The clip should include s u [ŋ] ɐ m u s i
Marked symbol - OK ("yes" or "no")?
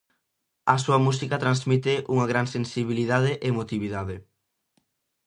no